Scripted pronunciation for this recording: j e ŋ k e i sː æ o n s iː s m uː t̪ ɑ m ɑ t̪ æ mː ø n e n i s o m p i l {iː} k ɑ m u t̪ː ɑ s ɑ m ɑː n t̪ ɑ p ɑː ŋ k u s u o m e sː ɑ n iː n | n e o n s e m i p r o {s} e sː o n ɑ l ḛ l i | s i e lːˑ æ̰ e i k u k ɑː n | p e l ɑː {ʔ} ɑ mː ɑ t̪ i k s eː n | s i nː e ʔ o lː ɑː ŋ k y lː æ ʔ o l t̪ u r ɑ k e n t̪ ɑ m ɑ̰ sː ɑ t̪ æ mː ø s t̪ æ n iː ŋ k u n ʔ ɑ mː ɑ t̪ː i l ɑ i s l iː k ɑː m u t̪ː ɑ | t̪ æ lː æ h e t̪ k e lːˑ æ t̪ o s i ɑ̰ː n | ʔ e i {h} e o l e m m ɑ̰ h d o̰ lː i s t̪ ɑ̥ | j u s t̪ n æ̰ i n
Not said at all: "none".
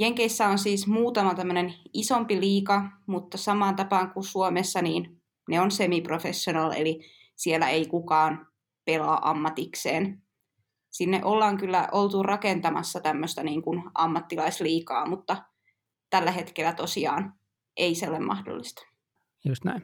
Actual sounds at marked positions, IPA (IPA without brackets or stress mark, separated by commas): iː, f, ʔ, s